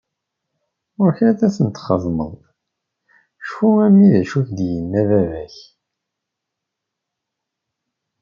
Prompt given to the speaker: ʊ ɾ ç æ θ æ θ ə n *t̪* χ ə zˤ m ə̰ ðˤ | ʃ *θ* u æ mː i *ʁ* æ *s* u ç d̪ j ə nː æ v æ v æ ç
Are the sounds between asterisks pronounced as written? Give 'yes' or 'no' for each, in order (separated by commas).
yes, no, no, no